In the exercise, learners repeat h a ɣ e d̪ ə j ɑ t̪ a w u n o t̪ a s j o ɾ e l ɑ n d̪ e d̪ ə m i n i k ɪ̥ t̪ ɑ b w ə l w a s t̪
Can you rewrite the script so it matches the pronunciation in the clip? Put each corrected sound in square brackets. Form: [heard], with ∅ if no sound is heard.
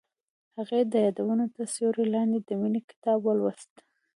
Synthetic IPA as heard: h a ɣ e d̪ ə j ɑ [d̪] a w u n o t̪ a s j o ɾ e l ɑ n d̪ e d̪ ə m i n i k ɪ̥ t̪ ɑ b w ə l w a s t̪

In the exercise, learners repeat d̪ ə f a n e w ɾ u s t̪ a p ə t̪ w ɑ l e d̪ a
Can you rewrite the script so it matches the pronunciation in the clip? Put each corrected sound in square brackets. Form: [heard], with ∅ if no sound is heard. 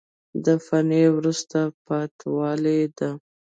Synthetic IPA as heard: d̪ ə f a n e w ɾ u s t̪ a p [ɑ] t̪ w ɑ l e d̪ a

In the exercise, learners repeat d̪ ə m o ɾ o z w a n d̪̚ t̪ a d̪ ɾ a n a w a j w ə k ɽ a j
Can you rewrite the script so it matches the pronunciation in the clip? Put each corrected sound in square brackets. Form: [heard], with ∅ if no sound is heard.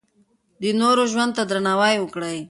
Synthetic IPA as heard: d̪ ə [n] o ɾ o [ʒ] w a n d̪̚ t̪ a d̪ ɾ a n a w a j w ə k ɽ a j

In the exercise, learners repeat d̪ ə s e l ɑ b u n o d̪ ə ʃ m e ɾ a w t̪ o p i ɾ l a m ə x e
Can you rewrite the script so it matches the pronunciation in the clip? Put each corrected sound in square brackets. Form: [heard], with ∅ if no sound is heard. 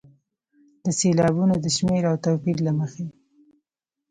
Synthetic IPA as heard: d̪ ə s e l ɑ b u n o d̪ ə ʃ m e ɾ a w t̪ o p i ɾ l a m ə x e

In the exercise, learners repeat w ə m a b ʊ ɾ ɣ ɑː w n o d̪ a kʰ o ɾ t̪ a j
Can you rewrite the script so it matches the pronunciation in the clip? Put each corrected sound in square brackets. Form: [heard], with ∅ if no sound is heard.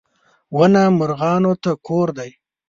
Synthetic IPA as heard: w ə [n] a [m] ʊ ɾ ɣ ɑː [∅] n o [t̪] a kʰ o ɾ [d̪] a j

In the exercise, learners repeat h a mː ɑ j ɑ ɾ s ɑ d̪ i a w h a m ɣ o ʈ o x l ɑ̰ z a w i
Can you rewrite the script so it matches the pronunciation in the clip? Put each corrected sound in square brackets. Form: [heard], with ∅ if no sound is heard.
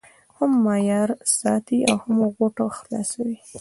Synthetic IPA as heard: h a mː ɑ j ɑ ɾ s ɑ [t̪] i a w h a m ɣ o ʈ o x l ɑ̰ [s] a w i

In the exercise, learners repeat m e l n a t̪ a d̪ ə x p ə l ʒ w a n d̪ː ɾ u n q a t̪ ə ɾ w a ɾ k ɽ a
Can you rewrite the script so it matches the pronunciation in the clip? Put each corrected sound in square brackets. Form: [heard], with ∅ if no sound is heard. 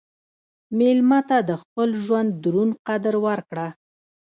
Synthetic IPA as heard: m e l [m] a t̪ a d̪ ə x p ə l ʒ w a n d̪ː ɾ u n q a [d̪] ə ɾ w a ɾ k ɽ a

